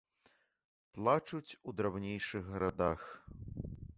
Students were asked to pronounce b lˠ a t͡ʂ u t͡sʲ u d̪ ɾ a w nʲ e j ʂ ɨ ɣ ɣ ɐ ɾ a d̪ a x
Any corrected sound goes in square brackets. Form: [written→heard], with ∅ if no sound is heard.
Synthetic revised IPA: [b→p] lˠ a t͡ʂ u t͡sʲ u d̪ ɾ a w nʲ e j ʂ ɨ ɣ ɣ ɐ ɾ a d̪ a x